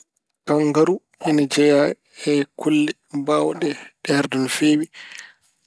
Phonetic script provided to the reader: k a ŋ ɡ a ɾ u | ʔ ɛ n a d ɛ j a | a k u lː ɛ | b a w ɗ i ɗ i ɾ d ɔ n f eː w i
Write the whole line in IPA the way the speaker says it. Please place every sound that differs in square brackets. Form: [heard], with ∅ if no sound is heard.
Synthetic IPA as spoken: k a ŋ ɡ a ɾ u | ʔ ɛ n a [d͡ʒ] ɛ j a | [ɛ] k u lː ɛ | b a w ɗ [ɛ] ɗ [ɛ] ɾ d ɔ n f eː w i